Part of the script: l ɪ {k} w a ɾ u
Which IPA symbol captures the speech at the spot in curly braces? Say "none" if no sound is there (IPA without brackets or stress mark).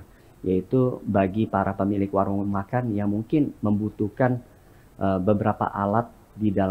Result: k